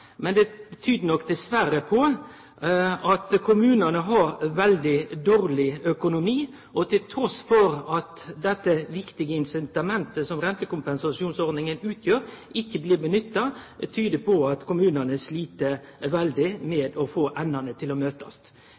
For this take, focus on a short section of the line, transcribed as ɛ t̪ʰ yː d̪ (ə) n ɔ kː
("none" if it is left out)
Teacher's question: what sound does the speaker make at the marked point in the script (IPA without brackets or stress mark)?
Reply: ə